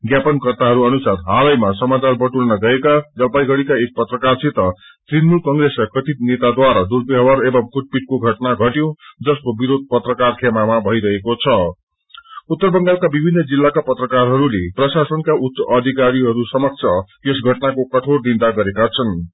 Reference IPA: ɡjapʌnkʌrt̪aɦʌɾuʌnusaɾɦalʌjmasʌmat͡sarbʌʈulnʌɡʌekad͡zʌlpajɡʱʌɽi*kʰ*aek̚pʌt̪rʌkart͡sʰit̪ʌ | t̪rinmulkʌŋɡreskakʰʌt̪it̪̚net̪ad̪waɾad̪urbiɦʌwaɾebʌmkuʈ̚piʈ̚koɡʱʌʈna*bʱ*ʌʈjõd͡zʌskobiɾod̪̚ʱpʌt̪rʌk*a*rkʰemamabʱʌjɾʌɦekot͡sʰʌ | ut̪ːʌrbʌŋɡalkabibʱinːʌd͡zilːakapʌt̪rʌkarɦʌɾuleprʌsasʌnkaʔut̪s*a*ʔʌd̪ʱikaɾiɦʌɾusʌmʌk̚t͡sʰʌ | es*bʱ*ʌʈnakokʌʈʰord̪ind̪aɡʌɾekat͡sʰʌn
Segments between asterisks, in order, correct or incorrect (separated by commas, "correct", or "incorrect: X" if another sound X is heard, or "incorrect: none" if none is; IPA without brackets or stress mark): incorrect: k, incorrect: ɡʱ, correct, incorrect: ʌ, incorrect: ɡʱ